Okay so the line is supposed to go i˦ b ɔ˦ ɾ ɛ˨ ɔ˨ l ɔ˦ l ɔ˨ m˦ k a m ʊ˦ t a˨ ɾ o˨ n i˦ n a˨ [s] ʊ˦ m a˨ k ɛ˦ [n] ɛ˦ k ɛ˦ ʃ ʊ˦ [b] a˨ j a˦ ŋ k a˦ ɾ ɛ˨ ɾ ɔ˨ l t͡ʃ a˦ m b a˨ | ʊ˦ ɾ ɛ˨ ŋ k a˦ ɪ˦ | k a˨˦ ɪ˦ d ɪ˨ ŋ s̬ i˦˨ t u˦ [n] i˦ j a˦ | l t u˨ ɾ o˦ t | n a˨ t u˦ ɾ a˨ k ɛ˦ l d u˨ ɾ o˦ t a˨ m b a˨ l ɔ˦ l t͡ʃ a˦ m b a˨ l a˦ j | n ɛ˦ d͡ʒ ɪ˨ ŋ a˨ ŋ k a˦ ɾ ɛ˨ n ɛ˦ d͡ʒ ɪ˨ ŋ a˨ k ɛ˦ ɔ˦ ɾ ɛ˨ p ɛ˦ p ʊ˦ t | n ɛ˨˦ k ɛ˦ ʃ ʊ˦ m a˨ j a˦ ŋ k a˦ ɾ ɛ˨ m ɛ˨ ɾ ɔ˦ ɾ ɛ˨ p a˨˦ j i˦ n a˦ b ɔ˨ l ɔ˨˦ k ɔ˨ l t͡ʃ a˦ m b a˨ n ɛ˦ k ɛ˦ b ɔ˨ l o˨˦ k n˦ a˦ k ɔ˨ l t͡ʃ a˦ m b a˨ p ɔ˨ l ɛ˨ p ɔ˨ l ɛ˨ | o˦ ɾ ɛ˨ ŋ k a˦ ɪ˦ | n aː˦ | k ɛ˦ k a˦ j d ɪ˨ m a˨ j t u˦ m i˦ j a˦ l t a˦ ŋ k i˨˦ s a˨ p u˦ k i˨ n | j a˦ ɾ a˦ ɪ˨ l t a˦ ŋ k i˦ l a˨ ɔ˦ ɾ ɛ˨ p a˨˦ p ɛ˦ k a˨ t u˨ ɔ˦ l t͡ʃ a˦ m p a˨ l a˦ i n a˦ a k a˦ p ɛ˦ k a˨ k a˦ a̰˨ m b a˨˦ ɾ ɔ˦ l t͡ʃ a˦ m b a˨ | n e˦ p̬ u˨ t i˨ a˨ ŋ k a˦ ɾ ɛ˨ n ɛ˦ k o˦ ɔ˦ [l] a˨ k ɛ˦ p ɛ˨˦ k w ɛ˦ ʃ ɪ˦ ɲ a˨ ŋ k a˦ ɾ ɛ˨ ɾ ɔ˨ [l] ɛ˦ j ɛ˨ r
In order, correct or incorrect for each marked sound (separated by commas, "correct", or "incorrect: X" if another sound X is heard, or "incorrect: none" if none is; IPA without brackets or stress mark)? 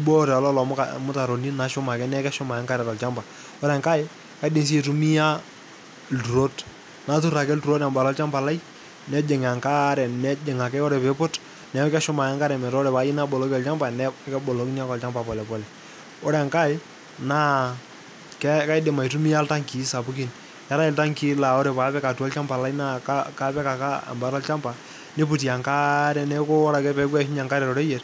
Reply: incorrect: ʃ, correct, incorrect: m, incorrect: m, incorrect: ɾ, incorrect: ɾ